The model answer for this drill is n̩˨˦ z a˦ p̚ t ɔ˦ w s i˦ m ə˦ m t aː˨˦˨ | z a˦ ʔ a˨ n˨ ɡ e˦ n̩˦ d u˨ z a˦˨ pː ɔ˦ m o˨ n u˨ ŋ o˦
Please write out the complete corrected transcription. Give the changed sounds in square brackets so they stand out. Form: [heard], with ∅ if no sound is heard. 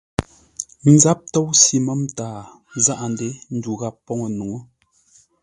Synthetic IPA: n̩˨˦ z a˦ p̚ t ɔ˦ w s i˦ m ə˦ m t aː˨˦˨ | z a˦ ʔ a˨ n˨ [d] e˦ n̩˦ d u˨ [ɣ] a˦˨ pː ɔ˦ [ŋ] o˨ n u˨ ŋ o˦

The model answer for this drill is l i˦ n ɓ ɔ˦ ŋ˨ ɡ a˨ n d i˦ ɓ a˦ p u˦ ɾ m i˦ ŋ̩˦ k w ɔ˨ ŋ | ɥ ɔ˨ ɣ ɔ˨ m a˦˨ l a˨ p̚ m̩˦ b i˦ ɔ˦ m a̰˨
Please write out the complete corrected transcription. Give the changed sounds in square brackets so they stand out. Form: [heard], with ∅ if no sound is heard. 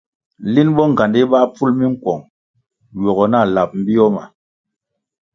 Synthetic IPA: l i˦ n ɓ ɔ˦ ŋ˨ ɡ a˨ n d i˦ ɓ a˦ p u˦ [l] m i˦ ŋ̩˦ k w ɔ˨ ŋ | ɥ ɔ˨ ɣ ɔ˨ [n] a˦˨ l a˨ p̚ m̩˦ b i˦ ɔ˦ m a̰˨

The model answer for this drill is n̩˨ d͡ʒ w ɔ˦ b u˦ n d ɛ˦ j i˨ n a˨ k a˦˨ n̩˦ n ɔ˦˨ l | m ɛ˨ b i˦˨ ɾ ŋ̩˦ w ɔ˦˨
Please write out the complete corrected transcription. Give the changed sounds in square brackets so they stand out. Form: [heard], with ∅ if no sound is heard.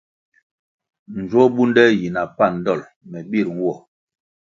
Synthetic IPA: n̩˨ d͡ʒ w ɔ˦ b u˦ n d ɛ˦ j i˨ n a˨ [p] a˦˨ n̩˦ [d] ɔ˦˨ l | m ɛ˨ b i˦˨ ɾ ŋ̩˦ w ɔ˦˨

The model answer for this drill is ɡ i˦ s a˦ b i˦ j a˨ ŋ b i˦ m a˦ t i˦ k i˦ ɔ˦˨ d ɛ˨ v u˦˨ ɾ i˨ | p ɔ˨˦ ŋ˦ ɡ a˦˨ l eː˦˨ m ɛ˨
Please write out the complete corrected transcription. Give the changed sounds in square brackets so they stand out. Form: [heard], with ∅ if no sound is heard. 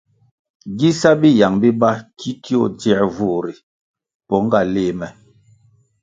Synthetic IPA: ɡ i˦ s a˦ b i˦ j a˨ ŋ b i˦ [b] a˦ [k] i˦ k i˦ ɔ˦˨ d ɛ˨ v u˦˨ ɾ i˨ | p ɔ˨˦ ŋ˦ ɡ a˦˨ l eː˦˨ m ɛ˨

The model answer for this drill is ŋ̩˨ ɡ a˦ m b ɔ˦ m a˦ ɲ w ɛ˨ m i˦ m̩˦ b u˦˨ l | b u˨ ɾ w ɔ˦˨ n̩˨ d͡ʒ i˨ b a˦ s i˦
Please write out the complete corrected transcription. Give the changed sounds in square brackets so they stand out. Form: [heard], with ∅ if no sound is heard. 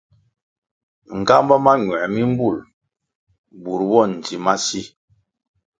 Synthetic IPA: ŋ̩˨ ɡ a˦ m b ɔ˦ m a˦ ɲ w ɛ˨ m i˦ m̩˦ b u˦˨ l | b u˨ ɾ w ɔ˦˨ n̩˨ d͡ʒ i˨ [m] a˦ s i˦

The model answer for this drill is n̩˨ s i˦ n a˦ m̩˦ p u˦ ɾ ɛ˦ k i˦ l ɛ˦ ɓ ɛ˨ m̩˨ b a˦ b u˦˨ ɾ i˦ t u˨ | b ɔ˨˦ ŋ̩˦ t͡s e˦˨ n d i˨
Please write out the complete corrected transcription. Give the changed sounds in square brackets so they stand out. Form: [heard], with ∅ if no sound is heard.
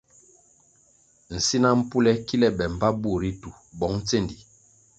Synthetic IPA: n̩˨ s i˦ n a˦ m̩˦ p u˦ [l] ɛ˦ k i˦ l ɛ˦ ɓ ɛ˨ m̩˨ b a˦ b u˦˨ ɾ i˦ t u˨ | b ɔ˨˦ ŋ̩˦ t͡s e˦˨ n d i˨

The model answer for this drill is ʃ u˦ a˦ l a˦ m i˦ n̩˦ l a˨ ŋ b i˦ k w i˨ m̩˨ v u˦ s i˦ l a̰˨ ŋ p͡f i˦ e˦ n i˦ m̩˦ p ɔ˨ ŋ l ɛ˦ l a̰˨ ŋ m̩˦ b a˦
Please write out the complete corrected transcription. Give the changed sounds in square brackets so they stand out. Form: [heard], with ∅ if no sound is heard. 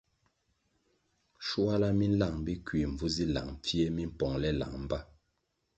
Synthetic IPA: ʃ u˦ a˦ l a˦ m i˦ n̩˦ l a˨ ŋ b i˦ k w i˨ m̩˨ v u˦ [z] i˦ l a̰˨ ŋ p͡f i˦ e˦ [m] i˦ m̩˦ p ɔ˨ ŋ l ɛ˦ l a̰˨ ŋ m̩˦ b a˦

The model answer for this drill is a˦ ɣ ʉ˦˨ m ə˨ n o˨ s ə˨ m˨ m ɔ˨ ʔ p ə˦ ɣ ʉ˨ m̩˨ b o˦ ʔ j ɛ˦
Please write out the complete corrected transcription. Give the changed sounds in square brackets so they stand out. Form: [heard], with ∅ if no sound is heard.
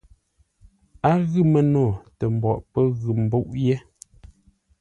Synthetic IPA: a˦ ɣ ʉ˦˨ m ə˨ n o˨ [t] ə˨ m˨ [b] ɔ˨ ʔ p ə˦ ɣ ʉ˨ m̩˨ b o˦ ʔ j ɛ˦

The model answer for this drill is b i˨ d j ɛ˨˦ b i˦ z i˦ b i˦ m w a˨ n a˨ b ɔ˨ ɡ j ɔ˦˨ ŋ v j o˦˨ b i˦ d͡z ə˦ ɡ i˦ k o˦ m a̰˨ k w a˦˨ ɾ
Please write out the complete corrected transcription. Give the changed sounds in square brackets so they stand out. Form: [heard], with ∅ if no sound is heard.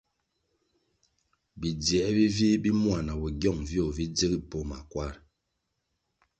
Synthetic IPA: b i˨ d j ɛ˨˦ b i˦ [v] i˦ b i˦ m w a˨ n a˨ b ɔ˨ ɡ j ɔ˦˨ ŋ v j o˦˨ [v] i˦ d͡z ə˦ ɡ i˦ [p] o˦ m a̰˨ k w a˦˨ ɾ

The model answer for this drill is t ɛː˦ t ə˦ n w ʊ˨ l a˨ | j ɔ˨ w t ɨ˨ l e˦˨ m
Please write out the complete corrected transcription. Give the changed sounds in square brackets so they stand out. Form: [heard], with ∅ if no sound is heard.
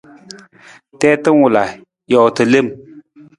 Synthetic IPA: t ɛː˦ t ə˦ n w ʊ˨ l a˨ | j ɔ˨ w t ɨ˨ l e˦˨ m

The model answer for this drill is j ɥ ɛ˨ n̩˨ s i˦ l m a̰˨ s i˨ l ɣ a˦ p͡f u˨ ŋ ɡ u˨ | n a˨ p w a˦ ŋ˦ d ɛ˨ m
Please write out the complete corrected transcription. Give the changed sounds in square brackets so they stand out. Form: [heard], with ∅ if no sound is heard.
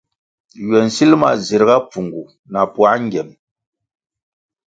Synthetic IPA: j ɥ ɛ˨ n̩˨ s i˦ l m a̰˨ [z] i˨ [ɾ] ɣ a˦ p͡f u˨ ŋ ɡ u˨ | n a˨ p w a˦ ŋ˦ [ɡ] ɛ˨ m

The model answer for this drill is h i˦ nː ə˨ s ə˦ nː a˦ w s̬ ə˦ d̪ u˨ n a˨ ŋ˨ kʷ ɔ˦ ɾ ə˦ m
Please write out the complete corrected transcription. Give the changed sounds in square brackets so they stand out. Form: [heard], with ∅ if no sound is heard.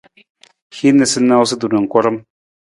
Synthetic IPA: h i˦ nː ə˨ s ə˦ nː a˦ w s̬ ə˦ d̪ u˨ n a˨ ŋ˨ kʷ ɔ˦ ɾ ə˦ m

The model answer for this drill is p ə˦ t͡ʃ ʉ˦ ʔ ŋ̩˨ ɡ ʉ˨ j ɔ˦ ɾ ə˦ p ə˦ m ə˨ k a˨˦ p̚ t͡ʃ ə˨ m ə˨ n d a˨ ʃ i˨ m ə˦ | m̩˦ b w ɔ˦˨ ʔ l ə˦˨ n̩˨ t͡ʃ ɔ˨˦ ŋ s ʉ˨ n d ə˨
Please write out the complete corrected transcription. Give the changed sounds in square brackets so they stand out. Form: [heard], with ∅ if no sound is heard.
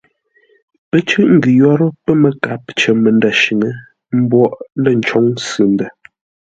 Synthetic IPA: p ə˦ t͡ʃ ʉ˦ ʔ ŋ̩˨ ɡ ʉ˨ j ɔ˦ ɾ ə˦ p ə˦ m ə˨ k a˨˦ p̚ t͡ʃ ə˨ m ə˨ n d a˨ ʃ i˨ [ŋ] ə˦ | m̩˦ b w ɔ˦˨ ʔ l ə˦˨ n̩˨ t͡ʃ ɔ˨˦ ŋ s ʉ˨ n d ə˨

